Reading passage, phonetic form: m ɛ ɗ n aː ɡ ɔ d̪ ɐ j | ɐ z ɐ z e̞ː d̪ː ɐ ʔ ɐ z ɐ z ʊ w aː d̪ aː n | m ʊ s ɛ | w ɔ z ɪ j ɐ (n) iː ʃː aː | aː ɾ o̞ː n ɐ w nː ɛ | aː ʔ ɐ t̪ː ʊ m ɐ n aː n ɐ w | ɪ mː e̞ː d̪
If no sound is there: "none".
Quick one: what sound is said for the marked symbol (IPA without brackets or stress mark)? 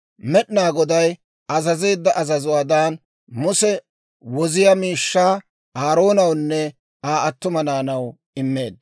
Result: m